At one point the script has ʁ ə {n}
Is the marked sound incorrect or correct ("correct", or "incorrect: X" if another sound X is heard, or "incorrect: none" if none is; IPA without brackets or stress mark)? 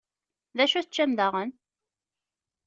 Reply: correct